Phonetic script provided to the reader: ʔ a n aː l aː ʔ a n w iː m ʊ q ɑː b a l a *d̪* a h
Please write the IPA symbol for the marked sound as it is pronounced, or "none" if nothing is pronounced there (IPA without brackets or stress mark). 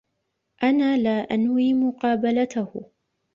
t̪